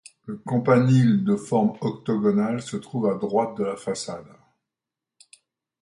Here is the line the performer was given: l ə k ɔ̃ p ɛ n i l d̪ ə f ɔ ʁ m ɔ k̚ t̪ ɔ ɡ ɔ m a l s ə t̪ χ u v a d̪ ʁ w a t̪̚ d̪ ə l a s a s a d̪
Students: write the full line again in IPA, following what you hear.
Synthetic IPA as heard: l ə k ɔ̃ p a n i l d̪ ə f ɔ ʁ m ɔ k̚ t̪ ɔ ɡ ɔ n a l s ə t̪ χ u v a d̪ ʁ w a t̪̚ d̪ ə l a f a s a d̪